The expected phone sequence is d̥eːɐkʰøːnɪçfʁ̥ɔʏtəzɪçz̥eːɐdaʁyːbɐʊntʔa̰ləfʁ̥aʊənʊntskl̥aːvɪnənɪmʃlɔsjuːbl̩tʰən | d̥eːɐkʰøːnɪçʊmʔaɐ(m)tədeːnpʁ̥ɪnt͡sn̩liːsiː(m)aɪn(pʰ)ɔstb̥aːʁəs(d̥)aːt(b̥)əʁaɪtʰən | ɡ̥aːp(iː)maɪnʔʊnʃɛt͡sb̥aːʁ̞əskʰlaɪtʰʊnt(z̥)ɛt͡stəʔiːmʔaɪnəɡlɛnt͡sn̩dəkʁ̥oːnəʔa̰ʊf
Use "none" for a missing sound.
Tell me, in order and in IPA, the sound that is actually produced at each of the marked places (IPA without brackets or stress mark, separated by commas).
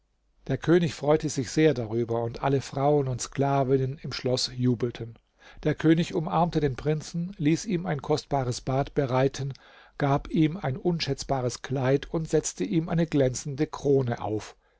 m, m, kʰ, b̥, b̥, iː, z̥